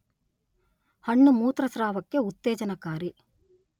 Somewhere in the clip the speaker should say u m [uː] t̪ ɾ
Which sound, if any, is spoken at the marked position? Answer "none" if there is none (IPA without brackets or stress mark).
uː